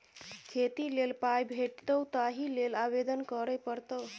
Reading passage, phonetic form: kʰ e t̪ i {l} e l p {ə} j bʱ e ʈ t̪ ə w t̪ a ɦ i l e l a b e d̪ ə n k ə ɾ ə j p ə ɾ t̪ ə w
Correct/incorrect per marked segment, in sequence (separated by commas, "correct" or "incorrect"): correct, incorrect